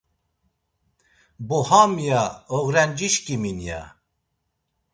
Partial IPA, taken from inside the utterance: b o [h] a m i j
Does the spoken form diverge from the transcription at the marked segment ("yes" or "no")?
no